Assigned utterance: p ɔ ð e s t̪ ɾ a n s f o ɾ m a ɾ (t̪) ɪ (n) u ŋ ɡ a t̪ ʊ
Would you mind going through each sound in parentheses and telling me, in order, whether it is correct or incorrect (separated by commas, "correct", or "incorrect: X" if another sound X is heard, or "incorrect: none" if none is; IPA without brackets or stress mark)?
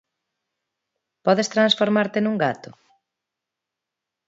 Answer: correct, correct